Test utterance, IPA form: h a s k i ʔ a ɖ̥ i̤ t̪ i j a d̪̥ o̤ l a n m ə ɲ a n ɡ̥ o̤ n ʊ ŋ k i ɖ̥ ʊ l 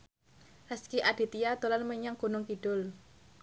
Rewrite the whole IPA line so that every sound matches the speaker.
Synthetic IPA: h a s k i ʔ a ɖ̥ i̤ t̪ i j a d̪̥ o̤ l a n m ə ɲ a ŋ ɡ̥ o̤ n ʊ ŋ k i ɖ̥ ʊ l

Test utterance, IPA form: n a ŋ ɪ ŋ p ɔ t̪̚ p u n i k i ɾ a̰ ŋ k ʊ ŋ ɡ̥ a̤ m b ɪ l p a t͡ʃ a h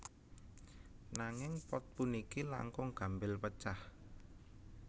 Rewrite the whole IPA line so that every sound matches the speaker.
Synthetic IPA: n a ŋ ɪ ŋ p ɔ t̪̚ p u n i k i l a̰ ŋ k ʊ ŋ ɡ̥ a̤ m b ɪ l p ə t͡ʃ a h

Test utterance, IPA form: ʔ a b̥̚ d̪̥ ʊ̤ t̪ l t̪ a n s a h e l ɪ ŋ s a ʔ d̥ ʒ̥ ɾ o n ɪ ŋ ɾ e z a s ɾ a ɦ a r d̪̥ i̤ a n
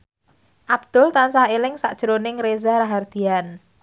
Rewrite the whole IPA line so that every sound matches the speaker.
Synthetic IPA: ʔ a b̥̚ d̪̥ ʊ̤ l t̪ a n s a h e l ɪ ŋ s a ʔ d̥ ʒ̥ ɾ o n ɪ ŋ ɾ e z a ɾ a ɦ a r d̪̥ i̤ a n

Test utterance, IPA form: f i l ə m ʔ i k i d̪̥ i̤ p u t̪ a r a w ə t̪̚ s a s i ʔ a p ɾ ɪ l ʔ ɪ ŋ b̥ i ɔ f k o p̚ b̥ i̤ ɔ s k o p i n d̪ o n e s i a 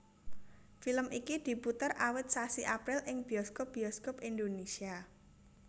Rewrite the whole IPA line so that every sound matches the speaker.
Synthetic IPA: f i l ə m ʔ i k i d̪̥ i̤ p u t̪ ə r a w ə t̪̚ s a s i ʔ a p ɾ ɪ l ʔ ɪ ŋ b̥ i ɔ s k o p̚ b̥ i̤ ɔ s k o p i n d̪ o n e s i a

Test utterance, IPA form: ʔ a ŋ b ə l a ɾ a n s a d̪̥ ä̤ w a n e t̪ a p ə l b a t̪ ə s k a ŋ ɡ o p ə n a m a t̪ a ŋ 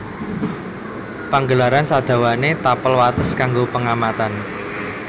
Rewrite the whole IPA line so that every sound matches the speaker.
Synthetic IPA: p a ŋ ɡ ə l a ɾ a n s a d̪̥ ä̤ w a n e t̪ a p ə l w a t̪ ə s k a ŋ ɡ o p ə ŋ a m a t̪ a n

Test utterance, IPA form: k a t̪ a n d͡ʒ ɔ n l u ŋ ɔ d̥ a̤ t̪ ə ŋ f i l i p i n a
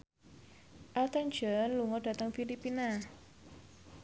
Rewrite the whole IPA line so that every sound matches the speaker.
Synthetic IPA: ʔ a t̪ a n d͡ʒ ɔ n l u ŋ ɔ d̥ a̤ t̪ ə ŋ f i l i p i n a

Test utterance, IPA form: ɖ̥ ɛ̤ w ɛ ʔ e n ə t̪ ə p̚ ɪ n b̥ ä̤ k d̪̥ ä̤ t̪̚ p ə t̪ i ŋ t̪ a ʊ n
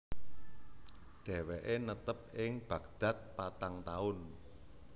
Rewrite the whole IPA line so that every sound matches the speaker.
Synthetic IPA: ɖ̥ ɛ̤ w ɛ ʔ e n ə t̪ ə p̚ ɪ ŋ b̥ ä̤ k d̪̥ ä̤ t̪̚ p a t̪ a ŋ t̪ a ʊ n

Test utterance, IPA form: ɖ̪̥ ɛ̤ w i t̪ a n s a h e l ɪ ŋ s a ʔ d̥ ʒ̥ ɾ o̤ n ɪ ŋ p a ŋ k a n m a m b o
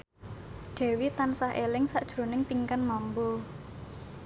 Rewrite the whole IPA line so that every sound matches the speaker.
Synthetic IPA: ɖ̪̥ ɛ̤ w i t̪ a n s a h e l ɪ ŋ s a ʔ d̥ ʒ̥ ɾ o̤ n ɪ ŋ p i ŋ k a n m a m b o

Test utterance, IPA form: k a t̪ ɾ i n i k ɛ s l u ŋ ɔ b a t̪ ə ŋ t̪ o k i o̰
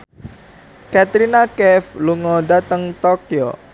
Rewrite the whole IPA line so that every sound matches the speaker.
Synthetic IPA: k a t̪ ɾ i n a k ɛ f l u ŋ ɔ d a t̪ ə ŋ t̪ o k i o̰

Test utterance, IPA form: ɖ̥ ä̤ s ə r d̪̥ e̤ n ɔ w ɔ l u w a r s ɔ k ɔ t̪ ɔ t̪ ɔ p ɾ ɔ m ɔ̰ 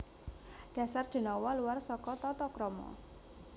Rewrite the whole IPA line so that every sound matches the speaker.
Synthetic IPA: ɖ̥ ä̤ s a r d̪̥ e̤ n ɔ w ɔ l u w a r s ɔ k ɔ t̪ ɔ t̪ ɔ k ɾ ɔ m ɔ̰

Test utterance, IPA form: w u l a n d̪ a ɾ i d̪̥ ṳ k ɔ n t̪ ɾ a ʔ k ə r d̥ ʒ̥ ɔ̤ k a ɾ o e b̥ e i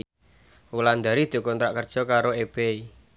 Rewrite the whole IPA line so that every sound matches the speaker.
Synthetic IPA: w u l a n d̪ a ɾ i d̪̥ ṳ k ɔ n t̪ ɾ a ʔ k ə r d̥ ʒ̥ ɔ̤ k a ɾ o e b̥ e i

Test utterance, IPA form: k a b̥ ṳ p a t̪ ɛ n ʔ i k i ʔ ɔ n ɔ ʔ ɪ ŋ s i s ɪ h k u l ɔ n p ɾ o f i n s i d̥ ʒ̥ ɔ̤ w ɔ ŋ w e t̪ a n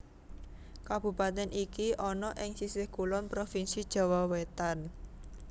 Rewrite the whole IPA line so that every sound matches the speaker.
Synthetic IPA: k a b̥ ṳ p a t̪ ɛ n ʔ i k i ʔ ɔ n ɔ ʔ ɪ ŋ s i s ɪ h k u l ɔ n p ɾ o f i n s i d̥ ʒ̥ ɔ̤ w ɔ w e t̪ a n

